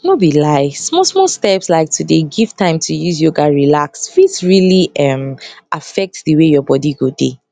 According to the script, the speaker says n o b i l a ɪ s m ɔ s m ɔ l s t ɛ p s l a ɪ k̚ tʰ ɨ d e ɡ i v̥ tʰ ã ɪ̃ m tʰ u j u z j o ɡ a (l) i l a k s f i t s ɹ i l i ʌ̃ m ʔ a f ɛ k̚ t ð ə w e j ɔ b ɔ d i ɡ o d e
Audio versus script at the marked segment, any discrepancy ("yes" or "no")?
yes